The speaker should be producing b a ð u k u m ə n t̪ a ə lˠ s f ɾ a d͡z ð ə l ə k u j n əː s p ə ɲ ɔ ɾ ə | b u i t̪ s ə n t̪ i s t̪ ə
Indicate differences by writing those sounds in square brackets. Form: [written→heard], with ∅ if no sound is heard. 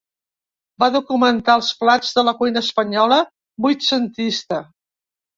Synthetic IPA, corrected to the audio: b a ð u k u m ə n t̪ a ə lˠ s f [ɾ→l] a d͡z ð ə l ə k u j n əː s p ə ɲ ɔ [ɾ→l] ə | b u [i→j] t̪ s ə n t̪ i s t̪ ə